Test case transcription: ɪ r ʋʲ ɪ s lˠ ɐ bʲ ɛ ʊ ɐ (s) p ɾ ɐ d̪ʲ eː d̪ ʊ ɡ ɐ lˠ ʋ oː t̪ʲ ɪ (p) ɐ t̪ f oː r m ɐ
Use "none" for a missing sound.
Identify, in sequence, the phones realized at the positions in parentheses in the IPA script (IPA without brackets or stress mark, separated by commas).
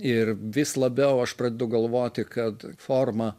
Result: ʃ, k